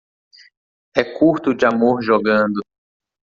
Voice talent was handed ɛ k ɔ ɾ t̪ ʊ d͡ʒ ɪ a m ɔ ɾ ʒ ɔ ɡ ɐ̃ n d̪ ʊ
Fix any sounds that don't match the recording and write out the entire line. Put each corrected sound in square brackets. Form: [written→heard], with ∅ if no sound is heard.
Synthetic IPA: ɛ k [ɔ→u] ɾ t̪ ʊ d͡ʒ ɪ a m [ɔ→o] ɾ ʒ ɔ ɡ ɐ̃ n d̪ ʊ

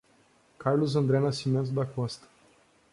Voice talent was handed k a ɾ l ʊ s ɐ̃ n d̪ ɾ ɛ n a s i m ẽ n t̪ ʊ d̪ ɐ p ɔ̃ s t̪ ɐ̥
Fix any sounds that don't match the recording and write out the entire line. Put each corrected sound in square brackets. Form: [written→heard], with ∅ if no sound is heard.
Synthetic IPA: k a ɾ l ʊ [s→z] ɐ̃ n d̪ ɾ ɛ n a s i m ẽ n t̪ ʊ d̪ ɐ [p→k] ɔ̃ s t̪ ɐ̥

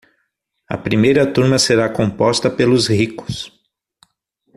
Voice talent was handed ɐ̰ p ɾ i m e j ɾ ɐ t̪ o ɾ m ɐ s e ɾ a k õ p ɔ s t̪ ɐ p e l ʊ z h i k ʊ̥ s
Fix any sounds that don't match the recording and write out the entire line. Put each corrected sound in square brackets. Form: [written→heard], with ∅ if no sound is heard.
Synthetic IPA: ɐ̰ p ɾ i m e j ɾ ɐ t̪ [o→u] ɾ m ɐ s e ɾ a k õ p ɔ s t̪ ɐ p e l ʊ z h i k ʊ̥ s

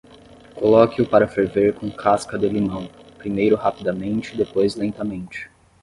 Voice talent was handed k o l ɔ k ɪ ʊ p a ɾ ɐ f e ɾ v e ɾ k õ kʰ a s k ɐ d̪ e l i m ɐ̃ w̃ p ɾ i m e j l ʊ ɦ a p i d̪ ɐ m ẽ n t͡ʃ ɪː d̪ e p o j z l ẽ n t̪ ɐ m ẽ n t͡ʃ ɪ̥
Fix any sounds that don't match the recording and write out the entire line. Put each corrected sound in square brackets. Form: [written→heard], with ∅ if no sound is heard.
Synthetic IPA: k o l ɔ k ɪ ʊ p a ɾ ɐ f e ɾ v e ɾ k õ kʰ a s k ɐ d̪ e l i m ɐ̃ w̃ p ɾ i m e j [l→ɾ] ʊ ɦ a p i d̪ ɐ m ẽ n t͡ʃ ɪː d̪ e p o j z l ẽ n t̪ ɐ m ẽ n t͡ʃ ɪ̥

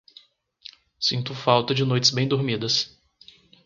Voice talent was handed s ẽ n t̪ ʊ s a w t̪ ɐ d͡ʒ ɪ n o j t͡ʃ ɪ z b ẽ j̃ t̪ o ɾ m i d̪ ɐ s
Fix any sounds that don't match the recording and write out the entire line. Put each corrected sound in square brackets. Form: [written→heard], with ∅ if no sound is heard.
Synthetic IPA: s [ẽ→ĩ] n t̪ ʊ [s→f] a w t̪ ɐ d͡ʒ ɪ n o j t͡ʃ ɪ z b ẽ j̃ [t̪→d̪] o ɾ m i d̪ ɐ s

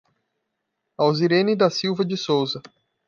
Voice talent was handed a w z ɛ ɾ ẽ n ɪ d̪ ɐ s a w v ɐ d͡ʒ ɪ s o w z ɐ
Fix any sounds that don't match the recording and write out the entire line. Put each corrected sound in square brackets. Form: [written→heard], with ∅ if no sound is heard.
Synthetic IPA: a w z [ɛ→i] ɾ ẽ n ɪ d̪ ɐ s [a→i] w v ɐ d͡ʒ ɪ s o w z ɐ

